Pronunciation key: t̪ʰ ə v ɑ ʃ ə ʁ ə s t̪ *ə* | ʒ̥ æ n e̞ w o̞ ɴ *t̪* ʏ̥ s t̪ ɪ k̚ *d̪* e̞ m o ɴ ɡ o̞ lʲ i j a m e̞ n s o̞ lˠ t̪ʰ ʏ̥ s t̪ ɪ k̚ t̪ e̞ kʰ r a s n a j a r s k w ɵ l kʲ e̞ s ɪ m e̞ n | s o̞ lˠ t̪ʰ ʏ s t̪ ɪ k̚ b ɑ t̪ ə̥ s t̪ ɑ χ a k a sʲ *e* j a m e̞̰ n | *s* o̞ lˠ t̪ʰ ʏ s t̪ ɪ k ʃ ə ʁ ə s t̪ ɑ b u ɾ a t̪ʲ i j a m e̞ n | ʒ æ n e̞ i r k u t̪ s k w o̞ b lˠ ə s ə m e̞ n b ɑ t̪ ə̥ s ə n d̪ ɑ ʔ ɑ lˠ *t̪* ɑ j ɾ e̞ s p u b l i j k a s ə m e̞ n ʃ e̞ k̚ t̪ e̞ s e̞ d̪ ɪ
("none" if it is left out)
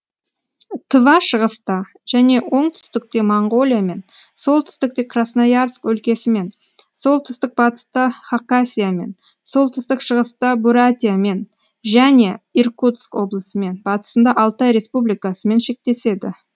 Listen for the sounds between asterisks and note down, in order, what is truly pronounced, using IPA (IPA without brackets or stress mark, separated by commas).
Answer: ɑ, t̪ʰ, t̪, i, s, t̪